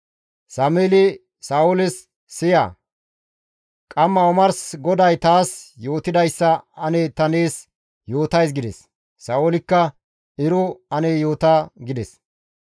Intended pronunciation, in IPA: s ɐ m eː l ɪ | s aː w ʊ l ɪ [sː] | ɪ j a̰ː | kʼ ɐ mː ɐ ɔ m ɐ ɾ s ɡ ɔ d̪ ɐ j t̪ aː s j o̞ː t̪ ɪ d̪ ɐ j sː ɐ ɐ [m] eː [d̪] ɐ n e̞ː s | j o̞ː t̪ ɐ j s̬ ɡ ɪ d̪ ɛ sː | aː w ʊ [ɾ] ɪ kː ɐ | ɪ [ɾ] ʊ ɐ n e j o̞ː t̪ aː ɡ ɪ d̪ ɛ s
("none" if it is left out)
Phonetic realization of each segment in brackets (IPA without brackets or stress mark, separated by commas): sː, n, t̪, l, ɾ